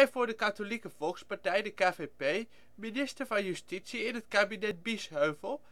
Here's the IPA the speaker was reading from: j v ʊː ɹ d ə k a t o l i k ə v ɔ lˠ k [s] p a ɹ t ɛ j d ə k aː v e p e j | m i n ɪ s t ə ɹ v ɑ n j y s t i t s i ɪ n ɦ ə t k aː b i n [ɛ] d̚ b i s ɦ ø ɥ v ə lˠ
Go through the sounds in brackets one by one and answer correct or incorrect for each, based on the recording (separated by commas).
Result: correct, correct